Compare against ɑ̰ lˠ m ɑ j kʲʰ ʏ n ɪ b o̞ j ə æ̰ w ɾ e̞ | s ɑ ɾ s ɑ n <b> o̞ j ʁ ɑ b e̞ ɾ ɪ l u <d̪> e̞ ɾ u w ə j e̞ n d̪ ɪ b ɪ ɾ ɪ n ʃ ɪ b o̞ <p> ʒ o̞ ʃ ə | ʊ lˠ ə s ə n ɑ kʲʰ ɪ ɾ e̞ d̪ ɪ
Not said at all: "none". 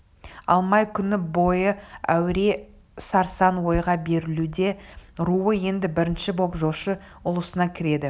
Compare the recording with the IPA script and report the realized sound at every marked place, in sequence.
w, d̪, p

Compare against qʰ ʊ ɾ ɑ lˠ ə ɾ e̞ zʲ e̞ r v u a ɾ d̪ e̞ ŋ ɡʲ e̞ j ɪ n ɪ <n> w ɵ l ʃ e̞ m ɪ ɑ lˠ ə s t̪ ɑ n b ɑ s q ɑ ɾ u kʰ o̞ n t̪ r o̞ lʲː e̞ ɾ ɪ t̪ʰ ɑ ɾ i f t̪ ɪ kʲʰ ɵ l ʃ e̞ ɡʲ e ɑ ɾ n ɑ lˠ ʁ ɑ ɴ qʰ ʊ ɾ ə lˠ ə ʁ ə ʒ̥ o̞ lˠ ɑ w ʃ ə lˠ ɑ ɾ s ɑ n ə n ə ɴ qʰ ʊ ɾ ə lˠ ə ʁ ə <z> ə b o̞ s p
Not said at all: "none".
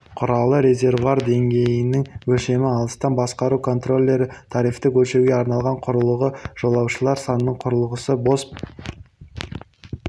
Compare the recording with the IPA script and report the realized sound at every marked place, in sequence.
ŋ, s

